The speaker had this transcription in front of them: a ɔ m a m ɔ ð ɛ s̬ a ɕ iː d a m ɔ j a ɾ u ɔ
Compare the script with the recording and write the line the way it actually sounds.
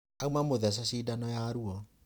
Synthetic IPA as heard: a u m a m o ð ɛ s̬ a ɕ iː d a n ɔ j a ɾ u ɔ